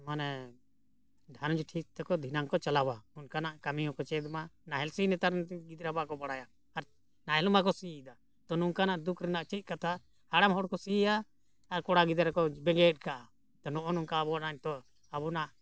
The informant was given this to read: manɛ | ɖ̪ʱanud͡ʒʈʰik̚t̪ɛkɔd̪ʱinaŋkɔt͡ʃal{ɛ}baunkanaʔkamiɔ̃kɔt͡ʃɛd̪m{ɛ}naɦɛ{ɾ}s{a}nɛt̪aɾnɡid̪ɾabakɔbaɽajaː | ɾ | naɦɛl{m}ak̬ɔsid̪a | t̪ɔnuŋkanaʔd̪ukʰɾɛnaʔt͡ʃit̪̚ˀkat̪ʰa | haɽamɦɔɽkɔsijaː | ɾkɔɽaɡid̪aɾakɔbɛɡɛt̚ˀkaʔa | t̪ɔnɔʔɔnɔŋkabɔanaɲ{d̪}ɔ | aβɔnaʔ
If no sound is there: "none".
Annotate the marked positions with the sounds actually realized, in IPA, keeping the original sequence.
a, a, l, i, m, t̪

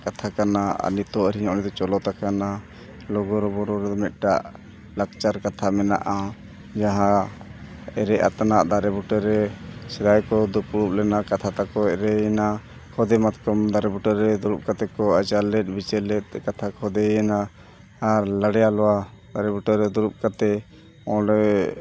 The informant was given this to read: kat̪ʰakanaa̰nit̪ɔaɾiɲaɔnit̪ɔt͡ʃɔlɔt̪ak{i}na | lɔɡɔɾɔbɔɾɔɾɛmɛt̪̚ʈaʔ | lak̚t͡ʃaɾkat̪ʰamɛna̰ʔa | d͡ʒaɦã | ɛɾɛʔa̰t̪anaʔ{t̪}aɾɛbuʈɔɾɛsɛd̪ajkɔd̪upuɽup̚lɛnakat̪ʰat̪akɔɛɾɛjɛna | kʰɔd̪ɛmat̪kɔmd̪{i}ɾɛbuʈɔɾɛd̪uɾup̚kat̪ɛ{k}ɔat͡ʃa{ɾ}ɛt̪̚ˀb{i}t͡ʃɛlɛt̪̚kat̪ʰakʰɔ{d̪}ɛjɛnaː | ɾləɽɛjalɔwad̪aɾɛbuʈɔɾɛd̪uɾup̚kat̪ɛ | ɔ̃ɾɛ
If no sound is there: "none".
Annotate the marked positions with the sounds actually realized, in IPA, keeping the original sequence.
a, d̪, a, k, l, i, d̪

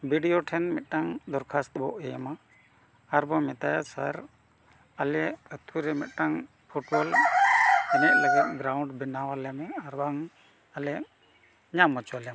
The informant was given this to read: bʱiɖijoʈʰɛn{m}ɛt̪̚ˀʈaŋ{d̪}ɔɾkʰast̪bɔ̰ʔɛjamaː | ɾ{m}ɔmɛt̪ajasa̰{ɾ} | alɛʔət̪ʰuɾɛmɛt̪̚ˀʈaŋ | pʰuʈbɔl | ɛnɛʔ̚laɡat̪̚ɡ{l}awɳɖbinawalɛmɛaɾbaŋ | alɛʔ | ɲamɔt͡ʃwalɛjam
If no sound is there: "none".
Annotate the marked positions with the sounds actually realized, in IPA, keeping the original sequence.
m, d̪, b, ɾ, ɾ

